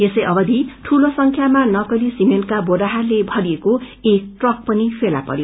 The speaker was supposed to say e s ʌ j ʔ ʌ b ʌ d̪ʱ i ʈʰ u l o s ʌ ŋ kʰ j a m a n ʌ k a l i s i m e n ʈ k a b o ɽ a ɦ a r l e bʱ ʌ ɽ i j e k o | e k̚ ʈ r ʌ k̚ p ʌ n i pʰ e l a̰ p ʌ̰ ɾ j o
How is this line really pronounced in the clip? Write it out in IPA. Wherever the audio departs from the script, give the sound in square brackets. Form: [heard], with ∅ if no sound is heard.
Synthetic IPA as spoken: e s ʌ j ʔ ʌ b ʌ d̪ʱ i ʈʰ u l o s ʌ ŋ kʰ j a m a n ʌ k [ʌ] l i s i m e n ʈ k a b o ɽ a ɦ a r l e bʱ ʌ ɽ i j e k o | e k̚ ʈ r ʌ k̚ p ʌ n i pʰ e l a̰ p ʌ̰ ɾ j o